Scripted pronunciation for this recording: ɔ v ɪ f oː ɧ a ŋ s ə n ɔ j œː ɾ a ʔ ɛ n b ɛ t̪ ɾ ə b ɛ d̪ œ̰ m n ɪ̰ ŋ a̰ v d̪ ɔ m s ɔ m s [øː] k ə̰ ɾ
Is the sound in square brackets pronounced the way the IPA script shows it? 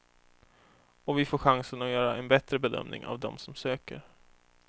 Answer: yes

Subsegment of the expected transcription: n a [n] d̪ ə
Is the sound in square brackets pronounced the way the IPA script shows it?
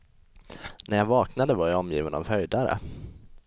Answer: no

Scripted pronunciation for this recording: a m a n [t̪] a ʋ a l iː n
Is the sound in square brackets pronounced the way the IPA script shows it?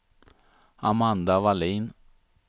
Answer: no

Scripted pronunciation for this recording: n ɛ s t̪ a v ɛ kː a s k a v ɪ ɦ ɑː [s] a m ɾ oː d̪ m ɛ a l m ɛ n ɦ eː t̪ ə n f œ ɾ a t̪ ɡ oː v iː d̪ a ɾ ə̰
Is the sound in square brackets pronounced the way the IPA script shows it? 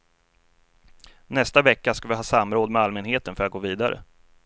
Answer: yes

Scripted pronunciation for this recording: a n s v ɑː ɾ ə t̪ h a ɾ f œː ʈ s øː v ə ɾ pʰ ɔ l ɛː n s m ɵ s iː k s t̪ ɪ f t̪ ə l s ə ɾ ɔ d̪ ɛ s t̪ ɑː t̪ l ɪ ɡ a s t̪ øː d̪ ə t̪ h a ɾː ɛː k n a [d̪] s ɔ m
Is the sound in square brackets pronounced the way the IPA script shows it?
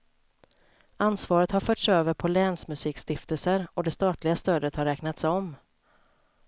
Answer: no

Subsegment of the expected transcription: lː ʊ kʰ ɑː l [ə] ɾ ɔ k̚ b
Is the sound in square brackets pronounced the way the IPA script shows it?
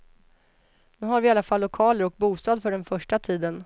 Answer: yes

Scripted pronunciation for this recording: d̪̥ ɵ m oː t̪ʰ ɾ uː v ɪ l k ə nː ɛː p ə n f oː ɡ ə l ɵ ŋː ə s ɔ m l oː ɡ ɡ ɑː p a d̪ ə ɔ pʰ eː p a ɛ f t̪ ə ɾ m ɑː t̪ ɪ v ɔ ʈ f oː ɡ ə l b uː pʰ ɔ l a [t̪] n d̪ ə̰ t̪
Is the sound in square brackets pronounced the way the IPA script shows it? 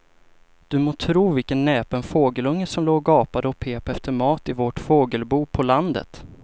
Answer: no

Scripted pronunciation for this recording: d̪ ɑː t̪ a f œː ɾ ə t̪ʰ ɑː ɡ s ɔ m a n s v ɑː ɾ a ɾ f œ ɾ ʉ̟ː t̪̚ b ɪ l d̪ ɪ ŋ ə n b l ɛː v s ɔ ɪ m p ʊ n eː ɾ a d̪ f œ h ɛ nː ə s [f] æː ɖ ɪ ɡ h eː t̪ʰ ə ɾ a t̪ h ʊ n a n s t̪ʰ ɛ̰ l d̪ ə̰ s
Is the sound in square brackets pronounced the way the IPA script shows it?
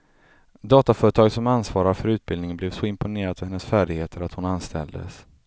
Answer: yes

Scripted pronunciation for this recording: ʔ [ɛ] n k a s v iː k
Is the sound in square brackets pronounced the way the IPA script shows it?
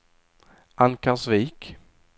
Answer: no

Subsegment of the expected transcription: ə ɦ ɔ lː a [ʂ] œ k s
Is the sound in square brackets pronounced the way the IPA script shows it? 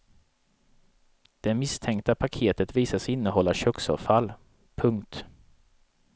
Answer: no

